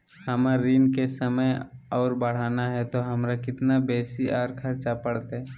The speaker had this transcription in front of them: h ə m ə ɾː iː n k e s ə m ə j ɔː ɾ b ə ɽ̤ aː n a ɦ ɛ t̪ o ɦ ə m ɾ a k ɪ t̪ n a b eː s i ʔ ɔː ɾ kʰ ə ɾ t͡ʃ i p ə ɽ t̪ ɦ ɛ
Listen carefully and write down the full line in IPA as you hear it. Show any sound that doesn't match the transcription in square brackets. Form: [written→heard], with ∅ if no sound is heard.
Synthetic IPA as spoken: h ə m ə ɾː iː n k e s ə m ə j ɔː ɾ b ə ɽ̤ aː n a ɦ ɛ t̪ o ɦ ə m ɾ a k ɪ t̪ n a b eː s i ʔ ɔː ɾ kʰ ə ɾ t͡ʃ [i→a] p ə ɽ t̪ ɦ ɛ

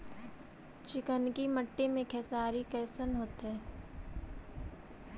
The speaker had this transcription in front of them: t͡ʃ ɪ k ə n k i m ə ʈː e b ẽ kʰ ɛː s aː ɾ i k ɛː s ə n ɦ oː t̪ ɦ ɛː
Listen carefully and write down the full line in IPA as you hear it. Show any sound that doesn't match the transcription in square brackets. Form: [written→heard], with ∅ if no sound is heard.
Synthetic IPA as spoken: t͡ʃ ɪ k ə n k i m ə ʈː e [b→m] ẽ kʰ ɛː s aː ɾ i k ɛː s ə n ɦ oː t̪ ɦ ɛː

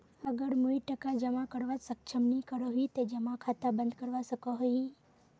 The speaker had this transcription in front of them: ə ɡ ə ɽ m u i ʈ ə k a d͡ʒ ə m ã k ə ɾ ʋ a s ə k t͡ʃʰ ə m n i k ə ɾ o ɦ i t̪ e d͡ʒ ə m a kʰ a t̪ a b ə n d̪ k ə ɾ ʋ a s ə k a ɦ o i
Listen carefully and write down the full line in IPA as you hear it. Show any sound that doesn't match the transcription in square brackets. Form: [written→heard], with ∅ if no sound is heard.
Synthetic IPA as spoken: ə ɡ ə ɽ m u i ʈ ə k a d͡ʒ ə m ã k ə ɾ ʋ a s ə k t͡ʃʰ ə m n i k ə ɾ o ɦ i t̪ e d͡ʒ ə m a kʰ a t̪ a b ə n d̪ k ə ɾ ʋ a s ə k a ɦ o i

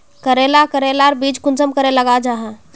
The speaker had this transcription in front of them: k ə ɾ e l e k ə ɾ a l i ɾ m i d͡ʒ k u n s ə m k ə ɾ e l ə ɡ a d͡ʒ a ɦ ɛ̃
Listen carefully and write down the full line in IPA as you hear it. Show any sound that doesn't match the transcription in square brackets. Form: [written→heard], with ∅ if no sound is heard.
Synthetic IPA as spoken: k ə ɾ e l [e→a] k ə ɾ [a→e] l [i→a] ɾ [m→b] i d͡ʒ k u n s ə m k ə ɾ e l ə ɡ a d͡ʒ a ɦ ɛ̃

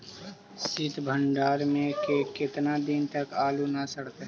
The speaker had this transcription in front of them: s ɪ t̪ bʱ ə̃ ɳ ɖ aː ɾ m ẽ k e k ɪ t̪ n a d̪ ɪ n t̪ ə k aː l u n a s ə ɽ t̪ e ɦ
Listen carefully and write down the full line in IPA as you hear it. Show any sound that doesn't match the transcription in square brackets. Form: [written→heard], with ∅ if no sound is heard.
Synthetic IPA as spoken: s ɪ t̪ bʱ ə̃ ɳ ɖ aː ɾ m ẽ k e k ɪ t̪ n a d̪ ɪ n t̪ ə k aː l u n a s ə ɽ t̪ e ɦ

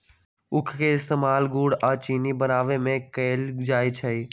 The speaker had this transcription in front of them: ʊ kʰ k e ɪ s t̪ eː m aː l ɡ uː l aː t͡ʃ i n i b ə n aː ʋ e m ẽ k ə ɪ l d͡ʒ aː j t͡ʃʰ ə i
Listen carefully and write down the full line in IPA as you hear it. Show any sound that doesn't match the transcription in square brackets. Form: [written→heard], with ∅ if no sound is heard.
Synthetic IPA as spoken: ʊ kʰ k e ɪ s t̪ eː m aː l ɡ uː [l→ɽ] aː t͡ʃ i n i b ə n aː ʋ e m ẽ k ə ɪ l d͡ʒ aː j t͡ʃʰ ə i

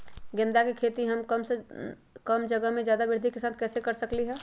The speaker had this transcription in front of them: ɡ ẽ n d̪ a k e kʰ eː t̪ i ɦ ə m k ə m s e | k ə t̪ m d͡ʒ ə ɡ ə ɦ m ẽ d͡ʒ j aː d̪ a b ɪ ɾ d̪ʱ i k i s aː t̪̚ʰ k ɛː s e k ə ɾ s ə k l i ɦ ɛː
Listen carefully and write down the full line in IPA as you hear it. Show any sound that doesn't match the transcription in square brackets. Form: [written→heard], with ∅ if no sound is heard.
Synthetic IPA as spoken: ɡ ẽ n d̪ a k e kʰ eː t̪ i ɦ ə m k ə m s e | k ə [t̪→∅] m d͡ʒ ə ɡ ə ɦ m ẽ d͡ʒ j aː d̪ a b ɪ ɾ d̪ʱ i k [i→e] s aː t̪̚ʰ k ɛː s e k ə ɾ s ə k l i ɦ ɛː

